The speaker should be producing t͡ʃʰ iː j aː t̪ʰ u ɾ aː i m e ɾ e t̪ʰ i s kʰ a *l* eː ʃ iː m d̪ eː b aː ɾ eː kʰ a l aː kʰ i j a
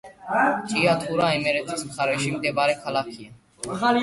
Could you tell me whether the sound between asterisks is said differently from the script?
yes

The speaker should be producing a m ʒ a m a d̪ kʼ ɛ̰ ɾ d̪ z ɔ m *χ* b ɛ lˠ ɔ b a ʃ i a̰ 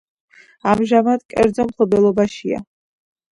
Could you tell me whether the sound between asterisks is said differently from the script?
no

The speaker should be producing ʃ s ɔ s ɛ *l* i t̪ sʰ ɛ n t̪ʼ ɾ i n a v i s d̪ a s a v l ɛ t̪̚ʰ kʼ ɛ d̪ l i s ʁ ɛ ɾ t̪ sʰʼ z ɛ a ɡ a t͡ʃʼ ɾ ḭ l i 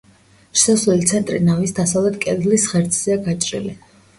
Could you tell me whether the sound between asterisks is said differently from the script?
no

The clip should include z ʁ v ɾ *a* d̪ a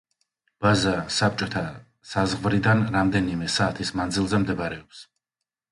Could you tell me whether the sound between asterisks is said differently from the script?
yes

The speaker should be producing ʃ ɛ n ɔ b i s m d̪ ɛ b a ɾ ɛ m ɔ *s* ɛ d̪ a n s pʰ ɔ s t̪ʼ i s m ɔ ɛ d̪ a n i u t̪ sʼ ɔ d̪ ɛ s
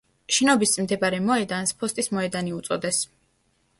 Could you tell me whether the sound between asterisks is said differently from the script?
yes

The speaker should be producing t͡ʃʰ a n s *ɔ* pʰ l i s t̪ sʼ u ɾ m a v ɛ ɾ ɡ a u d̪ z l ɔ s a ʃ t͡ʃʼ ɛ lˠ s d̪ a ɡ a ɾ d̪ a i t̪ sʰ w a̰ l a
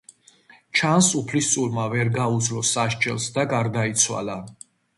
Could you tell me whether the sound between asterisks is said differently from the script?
yes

